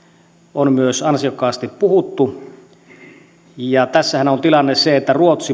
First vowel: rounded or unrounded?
rounded